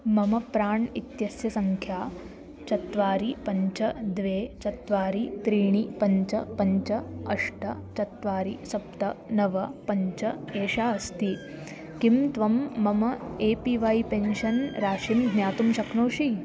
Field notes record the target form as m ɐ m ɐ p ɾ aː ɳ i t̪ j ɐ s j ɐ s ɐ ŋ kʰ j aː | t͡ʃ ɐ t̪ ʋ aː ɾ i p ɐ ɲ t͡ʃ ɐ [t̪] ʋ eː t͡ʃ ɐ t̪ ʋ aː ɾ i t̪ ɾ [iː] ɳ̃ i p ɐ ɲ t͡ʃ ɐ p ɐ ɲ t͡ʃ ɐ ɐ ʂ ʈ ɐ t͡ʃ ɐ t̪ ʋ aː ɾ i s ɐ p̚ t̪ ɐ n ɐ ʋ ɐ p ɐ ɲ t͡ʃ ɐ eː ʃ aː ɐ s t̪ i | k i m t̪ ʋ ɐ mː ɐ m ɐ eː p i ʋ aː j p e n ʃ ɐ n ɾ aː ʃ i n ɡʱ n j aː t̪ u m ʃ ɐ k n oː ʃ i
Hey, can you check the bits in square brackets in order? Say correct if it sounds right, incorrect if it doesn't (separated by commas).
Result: incorrect, correct